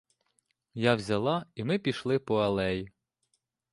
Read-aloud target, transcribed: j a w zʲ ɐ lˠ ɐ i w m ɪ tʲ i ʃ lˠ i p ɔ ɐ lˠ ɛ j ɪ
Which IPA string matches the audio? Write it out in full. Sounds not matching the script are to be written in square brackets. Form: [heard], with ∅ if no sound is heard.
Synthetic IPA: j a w zʲ ɐ lˠ [ɑ] i [∅] m ɪ [pʲ] i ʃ lˠ [ɪ] p ɔ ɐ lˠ ɛ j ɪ